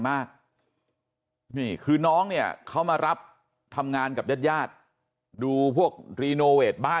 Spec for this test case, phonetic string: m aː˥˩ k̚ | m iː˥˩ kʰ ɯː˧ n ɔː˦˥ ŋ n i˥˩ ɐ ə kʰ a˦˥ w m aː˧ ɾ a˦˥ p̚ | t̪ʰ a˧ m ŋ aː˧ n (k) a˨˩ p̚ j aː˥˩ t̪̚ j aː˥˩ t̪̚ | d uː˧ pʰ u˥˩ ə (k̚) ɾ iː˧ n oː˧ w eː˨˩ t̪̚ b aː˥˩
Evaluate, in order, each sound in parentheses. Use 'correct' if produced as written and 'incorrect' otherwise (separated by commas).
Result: correct, correct